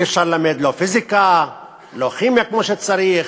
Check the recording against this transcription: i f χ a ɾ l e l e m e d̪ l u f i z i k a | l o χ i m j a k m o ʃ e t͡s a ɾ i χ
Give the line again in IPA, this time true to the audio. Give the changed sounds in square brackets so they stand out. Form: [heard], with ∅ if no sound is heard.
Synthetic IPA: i f [ʃ] a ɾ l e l [a] m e d̪ l [o] f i z i k a | l o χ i m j a k m o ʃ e t͡s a ɾ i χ